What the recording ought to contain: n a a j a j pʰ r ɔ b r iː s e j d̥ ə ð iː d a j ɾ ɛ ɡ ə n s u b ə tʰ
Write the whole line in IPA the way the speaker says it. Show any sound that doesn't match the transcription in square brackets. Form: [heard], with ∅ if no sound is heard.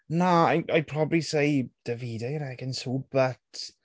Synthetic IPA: n a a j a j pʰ r ɔ b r [i] s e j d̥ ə [v] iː d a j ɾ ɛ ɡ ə n s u b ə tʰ

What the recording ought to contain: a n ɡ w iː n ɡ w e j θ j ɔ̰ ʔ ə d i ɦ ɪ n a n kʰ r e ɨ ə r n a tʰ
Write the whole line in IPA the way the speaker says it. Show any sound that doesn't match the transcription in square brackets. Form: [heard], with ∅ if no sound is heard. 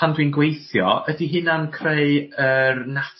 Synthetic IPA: a n [d] w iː n ɡ w e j θ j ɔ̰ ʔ ə d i ɦ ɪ n a n kʰ r e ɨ ə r n a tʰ

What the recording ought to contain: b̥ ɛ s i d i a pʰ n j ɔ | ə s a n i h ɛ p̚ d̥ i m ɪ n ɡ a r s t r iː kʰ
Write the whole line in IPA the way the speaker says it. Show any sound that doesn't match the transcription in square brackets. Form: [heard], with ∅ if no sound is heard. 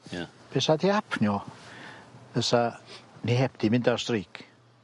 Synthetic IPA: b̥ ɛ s [a] d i a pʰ n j ɔ | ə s a n i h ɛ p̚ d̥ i m ɪ n [d] a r s t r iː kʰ

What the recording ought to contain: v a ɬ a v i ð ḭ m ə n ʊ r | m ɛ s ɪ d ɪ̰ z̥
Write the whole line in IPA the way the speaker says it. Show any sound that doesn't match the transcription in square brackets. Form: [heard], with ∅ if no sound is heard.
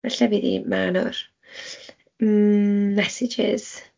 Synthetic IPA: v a ɬ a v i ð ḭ m [a] n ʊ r | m ɛ s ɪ [d͡ʒ] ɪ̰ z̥

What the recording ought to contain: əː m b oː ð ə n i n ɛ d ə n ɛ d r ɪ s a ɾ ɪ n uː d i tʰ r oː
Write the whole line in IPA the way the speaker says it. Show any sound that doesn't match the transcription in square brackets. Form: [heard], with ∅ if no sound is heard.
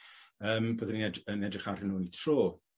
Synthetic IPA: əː m b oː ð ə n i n ɛ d ə n ɛ d r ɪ [χ] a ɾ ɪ n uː [n] i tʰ r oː

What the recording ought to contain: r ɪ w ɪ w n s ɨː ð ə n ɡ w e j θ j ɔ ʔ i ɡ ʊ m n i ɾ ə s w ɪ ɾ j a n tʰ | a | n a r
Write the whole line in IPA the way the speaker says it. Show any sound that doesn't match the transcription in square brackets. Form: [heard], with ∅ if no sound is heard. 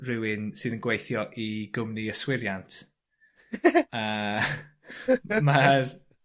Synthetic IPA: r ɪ w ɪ [∅] n s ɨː ð ə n ɡ w e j θ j ɔ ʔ i ɡ ʊ m n i [∅] ə s w ɪ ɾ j a n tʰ | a | [m] a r

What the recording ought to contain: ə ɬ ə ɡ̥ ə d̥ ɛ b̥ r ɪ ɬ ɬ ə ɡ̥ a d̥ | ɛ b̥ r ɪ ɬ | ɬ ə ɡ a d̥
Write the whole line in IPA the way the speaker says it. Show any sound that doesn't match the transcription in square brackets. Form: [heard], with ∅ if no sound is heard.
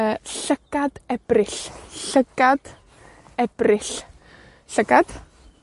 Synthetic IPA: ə ɬ ə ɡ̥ [a] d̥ ɛ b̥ r ɪ ɬ ɬ ə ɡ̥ a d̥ | ɛ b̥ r ɪ ɬ | ɬ ə ɡ a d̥

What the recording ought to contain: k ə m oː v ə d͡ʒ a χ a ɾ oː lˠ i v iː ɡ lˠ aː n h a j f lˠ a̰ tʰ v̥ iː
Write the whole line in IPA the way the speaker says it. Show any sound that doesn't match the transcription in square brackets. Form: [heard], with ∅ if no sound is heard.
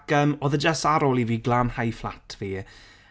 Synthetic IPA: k ə m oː [ð] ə d͡ʒ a [s] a ɾ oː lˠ i v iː ɡ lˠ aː n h a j f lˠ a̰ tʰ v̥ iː

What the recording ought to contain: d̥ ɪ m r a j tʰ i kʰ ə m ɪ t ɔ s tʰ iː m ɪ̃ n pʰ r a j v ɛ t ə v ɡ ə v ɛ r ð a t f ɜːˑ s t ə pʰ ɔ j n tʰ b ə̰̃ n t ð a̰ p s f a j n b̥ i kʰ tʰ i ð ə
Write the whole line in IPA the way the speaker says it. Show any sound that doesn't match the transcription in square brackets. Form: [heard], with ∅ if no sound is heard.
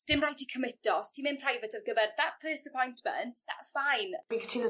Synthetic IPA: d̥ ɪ m r a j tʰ i kʰ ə m ɪ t ɔ s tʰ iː m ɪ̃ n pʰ r a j v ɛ t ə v ɡ ə v ɛ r ð a t f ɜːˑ s t ə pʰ ɔ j n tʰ [m] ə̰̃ n t ð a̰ [t] s f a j n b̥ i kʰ tʰ i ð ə

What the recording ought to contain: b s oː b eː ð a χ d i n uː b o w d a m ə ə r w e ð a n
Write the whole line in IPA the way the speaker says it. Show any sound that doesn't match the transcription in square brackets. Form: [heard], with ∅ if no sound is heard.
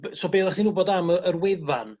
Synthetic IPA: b s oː b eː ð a χ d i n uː b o [∅] d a m ə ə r w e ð a n

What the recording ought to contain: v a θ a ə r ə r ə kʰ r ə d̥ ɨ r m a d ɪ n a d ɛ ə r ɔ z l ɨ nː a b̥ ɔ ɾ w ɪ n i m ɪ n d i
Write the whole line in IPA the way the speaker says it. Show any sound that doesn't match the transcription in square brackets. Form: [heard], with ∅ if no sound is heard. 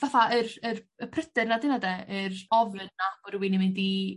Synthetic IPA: v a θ a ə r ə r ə [pʰ] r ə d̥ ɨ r [n] a d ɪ n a d ɛ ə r ɔ [v] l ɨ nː a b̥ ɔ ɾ w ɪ n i m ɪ n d i

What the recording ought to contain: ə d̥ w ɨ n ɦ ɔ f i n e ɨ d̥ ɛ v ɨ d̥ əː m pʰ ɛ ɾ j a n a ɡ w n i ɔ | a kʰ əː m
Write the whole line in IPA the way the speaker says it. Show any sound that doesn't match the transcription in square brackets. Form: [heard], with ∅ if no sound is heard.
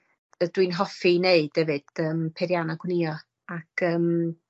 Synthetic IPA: ə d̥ w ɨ n ɦ ɔ f i n e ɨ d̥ ɛ v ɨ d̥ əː m pʰ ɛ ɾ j a n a ɡ w n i ɔ | a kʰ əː m

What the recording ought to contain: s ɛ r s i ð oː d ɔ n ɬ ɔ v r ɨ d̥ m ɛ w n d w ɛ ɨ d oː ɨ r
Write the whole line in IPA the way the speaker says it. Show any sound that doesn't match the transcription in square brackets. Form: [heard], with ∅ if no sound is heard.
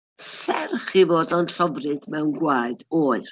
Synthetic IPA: s ɛ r [χ] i [v] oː d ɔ n ɬ ɔ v r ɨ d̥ m ɛ w n [ɡ] w [a] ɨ d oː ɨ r

